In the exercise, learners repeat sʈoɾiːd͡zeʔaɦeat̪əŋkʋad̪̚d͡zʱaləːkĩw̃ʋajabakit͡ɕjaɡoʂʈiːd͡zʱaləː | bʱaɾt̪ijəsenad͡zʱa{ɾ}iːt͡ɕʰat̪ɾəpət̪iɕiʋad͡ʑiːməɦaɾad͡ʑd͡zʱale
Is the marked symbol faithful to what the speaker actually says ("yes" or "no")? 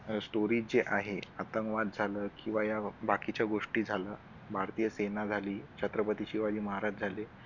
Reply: no